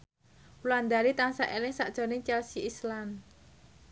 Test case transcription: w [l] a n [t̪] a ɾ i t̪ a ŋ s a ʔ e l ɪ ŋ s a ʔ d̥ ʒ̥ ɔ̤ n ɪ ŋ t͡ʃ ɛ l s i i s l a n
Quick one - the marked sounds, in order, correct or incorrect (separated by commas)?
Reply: correct, incorrect